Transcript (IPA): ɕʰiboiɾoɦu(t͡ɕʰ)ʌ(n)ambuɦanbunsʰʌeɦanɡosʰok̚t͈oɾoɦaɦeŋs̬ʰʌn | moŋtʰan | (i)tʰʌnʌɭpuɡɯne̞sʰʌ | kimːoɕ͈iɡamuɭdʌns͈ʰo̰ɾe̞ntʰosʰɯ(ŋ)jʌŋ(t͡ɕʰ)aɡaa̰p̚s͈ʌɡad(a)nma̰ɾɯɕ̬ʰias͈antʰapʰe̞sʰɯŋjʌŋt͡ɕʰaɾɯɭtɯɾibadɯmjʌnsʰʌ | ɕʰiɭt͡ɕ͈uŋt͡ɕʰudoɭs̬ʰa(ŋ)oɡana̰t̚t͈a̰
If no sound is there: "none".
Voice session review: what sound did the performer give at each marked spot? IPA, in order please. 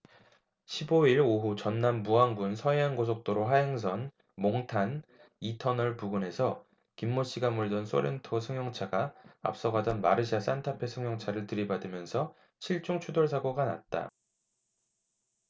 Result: t͡ɕ, nː, i, ŋ, t͡ɕʰ, ʌ, ɡ

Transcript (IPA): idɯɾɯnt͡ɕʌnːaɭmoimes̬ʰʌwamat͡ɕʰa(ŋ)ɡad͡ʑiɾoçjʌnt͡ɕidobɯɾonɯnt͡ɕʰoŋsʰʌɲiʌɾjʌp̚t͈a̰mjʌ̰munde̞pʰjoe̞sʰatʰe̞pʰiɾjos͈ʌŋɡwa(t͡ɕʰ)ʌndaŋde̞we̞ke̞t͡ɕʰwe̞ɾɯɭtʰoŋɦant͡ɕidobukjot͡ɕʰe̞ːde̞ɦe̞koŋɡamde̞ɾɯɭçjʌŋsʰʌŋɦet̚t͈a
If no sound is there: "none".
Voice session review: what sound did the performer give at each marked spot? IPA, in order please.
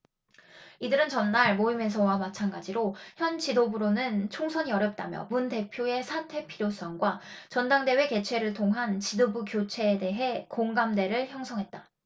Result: n, t͡ɕ

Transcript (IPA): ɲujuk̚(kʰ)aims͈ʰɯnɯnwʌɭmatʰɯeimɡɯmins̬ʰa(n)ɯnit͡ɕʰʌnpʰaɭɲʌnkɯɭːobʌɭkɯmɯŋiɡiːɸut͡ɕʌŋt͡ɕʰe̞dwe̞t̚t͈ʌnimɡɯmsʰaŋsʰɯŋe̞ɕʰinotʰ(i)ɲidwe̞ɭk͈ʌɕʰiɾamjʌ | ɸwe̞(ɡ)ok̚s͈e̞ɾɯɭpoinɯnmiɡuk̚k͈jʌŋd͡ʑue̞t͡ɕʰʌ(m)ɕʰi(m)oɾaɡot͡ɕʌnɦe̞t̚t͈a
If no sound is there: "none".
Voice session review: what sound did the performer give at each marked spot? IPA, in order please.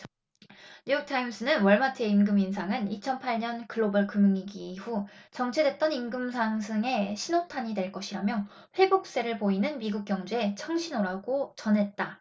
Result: tʰ, ŋ, a, b, ŋ, n

